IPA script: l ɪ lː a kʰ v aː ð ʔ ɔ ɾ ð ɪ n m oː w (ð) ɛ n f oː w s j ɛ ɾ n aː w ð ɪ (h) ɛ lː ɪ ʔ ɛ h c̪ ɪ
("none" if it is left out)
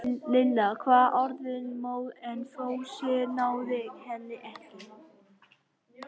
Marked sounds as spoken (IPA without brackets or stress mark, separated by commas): ð, h